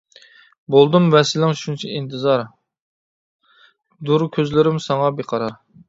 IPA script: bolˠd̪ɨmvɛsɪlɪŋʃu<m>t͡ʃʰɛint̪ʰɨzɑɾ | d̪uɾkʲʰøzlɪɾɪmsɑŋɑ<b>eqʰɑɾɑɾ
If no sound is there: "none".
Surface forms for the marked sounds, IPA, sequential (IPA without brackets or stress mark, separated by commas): n, b